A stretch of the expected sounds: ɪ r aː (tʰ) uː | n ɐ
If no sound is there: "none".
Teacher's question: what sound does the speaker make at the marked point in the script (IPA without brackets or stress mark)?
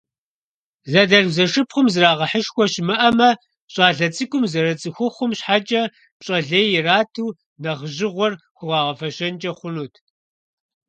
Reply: tʰ